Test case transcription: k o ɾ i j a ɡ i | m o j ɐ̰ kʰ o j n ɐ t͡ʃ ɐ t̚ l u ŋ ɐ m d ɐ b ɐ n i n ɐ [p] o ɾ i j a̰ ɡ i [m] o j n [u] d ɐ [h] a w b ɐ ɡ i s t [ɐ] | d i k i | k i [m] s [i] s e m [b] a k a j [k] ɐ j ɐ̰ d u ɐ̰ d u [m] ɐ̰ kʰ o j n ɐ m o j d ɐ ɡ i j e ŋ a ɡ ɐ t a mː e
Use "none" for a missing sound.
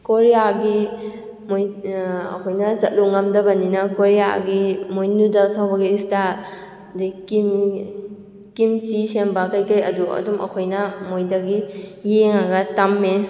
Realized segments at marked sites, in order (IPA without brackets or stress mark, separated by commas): k, m, u, s, a, m, i, b, k, m